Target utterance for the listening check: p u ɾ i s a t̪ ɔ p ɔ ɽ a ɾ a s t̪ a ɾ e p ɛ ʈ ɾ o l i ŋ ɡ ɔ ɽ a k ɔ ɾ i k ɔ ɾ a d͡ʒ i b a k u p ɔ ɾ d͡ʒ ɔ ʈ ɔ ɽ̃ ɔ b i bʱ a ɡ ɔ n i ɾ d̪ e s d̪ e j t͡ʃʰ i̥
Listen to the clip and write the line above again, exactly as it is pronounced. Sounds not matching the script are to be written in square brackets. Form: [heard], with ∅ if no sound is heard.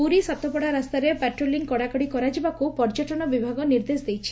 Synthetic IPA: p u ɾ i s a t̪ ɔ p ɔ ɽ a ɾ a s t̪ a ɾ e p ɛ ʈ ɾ o l i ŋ [k] ɔ ɽ a k ɔ [ɽ] i k ɔ ɾ a d͡ʒ i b a k u p ɔ ɾ d͡ʒ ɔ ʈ ɔ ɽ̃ ɔ b i bʱ a ɡ ɔ n i ɾ d̪ e s d̪ e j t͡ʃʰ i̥